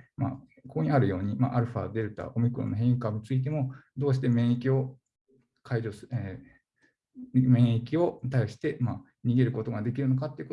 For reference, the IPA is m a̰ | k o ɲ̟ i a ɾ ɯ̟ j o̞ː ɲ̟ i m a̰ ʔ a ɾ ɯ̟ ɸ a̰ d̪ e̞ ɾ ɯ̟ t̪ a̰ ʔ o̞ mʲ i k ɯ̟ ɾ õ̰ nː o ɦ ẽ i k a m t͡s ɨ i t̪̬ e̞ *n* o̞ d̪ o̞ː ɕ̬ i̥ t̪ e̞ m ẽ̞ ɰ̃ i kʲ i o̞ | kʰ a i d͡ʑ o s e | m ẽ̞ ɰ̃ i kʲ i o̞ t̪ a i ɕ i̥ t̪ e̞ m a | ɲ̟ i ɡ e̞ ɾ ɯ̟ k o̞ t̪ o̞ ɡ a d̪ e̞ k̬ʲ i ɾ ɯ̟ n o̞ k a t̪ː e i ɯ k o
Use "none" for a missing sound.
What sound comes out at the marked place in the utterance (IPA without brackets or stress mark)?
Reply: m